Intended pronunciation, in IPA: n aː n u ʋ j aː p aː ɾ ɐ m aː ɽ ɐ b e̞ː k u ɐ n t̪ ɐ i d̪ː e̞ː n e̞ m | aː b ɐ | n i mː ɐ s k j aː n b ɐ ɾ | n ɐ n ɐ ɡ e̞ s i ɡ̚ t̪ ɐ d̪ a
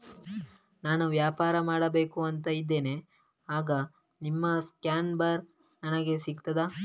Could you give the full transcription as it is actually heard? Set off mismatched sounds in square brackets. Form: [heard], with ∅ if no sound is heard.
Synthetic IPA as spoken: n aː n u ʋ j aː p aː ɾ ɐ m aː ɽ ɐ b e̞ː k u ɐ n t̪ ɐ i d̪ː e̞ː n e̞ [∅] | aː [ɡ] ɐ | n i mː ɐ s k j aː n b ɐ ɾ | n ɐ n ɐ ɡ e̞ s i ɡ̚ t̪ ɐ d̪ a